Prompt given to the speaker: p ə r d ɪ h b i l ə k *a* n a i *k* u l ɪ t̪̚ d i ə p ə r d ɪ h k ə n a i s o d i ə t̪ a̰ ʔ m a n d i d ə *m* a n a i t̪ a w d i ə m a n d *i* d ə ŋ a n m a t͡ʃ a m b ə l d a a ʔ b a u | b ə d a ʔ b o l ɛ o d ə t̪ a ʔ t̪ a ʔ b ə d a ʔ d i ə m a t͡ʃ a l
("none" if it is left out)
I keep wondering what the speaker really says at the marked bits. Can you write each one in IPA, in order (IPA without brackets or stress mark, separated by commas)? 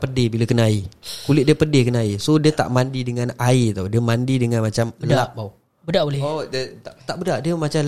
ə, k, ŋ, i